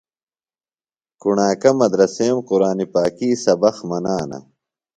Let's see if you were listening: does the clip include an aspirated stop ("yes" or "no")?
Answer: no